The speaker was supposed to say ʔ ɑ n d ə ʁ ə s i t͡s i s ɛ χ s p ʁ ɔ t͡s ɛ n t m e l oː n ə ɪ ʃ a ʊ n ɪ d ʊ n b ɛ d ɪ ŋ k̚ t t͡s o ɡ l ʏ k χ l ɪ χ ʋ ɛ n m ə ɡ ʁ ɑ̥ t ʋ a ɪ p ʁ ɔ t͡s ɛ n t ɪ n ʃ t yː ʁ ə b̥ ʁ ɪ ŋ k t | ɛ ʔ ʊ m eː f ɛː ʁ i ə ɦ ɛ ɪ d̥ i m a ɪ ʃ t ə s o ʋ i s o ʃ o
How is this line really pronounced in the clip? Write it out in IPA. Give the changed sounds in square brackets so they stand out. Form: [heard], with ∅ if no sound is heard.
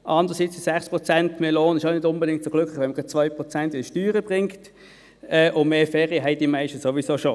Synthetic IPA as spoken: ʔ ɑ n d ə ʁ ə s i t͡s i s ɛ χ s p ʁ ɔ t͡s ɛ n t m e l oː n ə ɪ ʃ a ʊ n ɪ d ʊ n b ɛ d ɪ ŋ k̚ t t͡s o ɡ l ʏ k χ l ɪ χ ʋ ɛ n m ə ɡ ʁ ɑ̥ [t͡s] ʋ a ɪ p ʁ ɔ t͡s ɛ n t ɪ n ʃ t yː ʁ ə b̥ ʁ ɪ ŋ k t | ɛ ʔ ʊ m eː f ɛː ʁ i ə ɦ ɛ ɪ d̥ i m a ɪ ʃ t ə s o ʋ i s o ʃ o